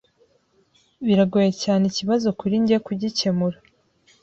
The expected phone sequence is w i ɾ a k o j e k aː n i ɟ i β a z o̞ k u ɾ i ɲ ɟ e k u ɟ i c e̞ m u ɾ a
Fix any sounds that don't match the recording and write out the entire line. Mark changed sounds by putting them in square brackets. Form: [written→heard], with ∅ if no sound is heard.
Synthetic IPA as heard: [w→β] i ɾ a [k→ɡ] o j e [k→c] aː n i [ɟ→c] i β a z o̞ k u ɾ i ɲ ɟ e k u ɟ i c e̞ m u ɾ a